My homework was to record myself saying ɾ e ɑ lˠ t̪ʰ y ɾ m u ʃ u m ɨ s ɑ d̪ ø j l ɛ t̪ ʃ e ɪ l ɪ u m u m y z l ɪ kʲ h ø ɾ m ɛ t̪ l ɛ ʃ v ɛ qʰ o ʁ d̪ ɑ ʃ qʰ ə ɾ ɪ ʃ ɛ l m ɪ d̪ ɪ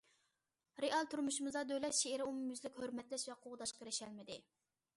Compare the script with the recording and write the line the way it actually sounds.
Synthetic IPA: ɾ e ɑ lˠ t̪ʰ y ɾ m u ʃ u m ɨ z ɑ d̪ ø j l ɛ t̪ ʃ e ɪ ɾ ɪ u m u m y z l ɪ kʲ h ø ɾ m ɛ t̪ l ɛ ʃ v ɛ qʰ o ʁ d̪ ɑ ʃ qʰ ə ɾ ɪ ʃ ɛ l m ɪ d̪ ɪ